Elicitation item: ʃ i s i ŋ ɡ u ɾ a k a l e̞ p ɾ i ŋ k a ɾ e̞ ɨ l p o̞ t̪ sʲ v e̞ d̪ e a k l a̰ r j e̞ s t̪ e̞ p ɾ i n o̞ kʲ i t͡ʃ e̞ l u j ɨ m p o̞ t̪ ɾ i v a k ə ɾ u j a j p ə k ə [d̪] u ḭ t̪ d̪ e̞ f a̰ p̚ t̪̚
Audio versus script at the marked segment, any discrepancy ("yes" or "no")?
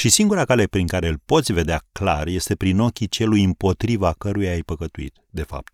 yes